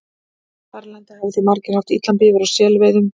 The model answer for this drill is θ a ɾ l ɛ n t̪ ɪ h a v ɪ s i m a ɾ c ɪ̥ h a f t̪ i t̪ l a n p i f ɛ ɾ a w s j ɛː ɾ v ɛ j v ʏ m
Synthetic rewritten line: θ a ɾ l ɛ n t̪ ɪ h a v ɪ θ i m a ɾ c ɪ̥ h a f t̪ i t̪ l a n p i v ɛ ɾ a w s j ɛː l v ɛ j ð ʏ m